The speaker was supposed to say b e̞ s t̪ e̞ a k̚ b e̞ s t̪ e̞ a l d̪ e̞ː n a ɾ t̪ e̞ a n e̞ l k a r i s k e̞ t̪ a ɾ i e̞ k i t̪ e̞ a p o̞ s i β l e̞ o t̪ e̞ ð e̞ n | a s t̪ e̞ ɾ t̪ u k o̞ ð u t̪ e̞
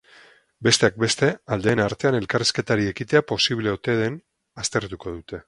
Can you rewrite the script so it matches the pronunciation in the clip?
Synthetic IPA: b e̞ s t̪ e̞ a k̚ b e̞ s t̪ e̞ a l d̪ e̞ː n a ɾ t̪ e̞ a n e̞ l k a r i s k e̞ t̪ a ɾ i e̞ k i t̪ e̞ a p o̞ s i β l e̞ o t̪ e̞ ð e̞ n | a s t̪ e̞ ɾ t̪ u k o̞ ð u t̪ e̞